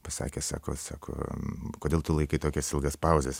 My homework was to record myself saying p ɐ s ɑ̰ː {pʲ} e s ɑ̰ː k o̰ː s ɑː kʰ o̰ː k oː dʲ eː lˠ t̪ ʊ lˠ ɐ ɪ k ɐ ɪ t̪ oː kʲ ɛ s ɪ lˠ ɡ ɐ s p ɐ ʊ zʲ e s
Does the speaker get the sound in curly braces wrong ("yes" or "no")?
yes